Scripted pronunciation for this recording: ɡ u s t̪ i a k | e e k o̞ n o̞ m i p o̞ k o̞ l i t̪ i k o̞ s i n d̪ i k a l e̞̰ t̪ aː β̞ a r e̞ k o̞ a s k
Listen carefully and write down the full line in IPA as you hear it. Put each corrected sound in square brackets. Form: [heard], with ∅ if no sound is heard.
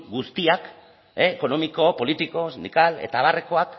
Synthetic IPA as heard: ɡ u s t̪ i a k | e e k o̞ n o̞ m i [k] o̞ [p] o̞ l i t̪ i k o̞ s i n d̪ i k a l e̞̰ t̪ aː β̞ a r e̞ k o̞ a [∅] k